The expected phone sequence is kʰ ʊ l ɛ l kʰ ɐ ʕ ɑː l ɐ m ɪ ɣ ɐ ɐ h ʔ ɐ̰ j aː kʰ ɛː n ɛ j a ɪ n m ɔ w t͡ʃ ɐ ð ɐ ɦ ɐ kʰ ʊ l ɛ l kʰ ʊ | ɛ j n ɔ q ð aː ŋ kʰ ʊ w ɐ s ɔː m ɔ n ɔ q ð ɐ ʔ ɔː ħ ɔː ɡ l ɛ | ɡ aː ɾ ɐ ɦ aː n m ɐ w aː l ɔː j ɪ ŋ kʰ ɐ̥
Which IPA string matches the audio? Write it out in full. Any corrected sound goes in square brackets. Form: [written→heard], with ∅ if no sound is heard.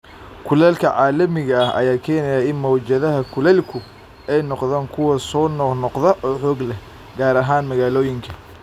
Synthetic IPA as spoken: kʰ ʊ l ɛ l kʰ ɐ ʕ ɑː l ɐ m ɪ ɣ ɐ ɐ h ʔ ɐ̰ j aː kʰ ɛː n ɛ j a ɪ n m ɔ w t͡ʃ ɐ ð ɐ ɦ ɐ kʰ ʊ l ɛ l kʰ ʊ | ɛ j n ɔ q ð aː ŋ kʰ ʊ w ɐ s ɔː [m→n] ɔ n ɔ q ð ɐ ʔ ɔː ħ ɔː ɡ l ɛ | ɡ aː ɾ ɐ ɦ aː n m ɐ [w→ɣ] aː l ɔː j ɪ ŋ kʰ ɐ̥